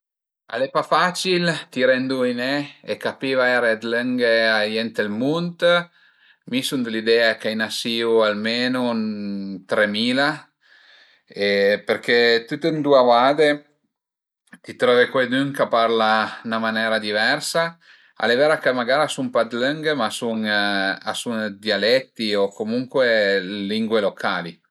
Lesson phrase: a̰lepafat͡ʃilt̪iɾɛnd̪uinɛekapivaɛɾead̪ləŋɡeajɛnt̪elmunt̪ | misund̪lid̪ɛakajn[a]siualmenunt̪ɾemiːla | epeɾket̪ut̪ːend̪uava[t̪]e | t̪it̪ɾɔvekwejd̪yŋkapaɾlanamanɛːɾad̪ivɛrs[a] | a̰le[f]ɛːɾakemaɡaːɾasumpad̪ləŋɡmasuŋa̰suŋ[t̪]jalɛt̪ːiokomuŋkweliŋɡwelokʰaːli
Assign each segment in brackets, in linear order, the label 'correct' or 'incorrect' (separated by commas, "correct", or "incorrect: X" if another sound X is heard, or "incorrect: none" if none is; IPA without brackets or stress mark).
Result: correct, incorrect: d̪, correct, incorrect: v, incorrect: d̪